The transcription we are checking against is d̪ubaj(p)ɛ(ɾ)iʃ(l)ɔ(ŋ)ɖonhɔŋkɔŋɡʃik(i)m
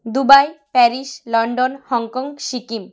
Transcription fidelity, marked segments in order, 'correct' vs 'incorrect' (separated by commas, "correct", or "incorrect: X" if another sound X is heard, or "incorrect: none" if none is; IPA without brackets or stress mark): correct, correct, correct, incorrect: ɳ, correct